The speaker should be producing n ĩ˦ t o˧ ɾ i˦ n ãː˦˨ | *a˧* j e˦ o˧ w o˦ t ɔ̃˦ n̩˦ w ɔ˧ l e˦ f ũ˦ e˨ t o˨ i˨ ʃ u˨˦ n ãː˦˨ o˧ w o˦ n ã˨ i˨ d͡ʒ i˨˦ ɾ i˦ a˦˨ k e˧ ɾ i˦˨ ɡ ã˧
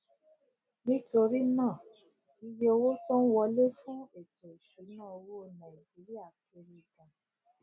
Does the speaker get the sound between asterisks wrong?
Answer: yes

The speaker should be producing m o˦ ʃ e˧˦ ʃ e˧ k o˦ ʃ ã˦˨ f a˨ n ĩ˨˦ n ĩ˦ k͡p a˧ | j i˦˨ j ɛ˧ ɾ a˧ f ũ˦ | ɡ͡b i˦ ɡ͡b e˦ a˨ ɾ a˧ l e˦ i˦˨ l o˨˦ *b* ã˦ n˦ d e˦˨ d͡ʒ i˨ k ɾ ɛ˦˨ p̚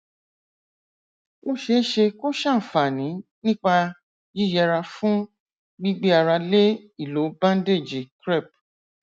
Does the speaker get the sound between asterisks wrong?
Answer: no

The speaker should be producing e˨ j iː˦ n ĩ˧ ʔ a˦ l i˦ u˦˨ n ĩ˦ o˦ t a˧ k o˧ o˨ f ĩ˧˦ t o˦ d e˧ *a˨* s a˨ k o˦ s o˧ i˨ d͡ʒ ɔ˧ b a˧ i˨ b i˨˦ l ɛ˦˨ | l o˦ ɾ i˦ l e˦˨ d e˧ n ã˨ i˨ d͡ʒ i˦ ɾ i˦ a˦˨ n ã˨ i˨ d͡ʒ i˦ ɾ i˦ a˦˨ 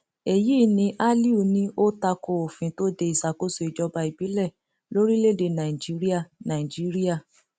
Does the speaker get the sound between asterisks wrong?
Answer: yes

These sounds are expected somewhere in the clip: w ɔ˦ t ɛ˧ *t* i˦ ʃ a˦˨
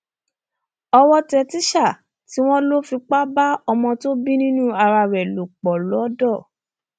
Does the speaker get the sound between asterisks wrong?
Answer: no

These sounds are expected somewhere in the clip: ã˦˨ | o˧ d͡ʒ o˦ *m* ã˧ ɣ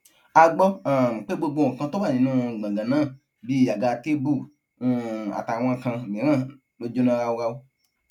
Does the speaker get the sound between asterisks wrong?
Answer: yes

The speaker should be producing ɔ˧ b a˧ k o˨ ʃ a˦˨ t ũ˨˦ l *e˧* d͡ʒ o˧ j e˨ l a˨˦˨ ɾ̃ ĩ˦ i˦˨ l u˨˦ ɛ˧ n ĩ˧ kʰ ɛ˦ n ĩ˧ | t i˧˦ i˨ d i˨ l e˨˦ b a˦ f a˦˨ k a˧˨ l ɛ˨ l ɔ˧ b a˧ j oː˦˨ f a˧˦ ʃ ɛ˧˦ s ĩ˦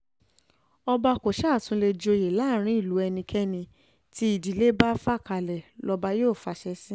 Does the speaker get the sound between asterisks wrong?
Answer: no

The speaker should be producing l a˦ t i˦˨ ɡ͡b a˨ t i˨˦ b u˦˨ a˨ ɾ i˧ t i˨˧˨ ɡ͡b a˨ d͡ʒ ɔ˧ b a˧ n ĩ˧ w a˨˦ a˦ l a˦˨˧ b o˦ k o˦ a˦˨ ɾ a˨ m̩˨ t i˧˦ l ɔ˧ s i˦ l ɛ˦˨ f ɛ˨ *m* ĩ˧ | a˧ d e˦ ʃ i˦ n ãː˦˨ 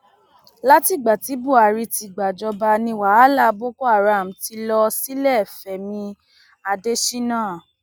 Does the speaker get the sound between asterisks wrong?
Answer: no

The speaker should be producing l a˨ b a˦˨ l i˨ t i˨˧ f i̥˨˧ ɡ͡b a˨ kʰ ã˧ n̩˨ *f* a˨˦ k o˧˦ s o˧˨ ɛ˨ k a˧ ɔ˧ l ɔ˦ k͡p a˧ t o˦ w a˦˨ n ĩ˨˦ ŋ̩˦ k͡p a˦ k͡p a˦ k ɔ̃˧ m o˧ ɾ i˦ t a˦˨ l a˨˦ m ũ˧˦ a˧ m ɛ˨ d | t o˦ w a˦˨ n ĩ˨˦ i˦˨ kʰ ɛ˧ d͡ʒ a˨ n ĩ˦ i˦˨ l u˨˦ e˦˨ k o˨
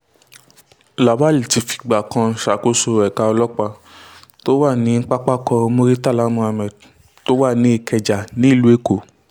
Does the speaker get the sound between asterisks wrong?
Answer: yes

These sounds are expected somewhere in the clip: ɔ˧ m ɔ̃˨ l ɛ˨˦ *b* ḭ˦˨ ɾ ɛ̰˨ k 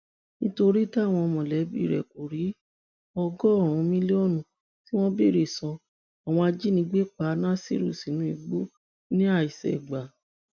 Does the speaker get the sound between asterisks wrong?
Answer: no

